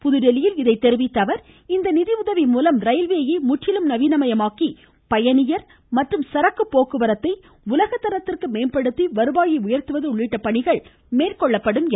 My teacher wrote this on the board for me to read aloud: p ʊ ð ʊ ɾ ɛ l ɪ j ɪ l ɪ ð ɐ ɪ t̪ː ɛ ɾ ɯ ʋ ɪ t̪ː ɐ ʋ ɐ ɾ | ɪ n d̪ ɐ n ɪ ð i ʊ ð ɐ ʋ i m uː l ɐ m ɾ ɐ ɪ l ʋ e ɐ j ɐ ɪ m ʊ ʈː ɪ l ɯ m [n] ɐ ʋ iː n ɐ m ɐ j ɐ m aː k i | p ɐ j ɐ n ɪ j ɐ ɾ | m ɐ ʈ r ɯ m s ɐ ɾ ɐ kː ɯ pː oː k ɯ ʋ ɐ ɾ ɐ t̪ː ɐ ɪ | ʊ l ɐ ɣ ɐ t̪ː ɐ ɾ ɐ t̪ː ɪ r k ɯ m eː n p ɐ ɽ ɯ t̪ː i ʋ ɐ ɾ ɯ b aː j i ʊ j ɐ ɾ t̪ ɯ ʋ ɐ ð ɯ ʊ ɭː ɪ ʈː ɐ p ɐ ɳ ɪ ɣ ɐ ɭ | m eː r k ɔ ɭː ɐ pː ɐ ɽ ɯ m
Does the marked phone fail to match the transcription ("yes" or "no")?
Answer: no